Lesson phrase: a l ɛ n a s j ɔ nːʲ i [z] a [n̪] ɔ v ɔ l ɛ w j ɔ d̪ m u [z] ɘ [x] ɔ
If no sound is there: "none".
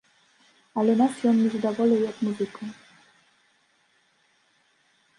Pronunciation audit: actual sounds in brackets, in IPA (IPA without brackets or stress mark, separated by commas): z, d̪, z, k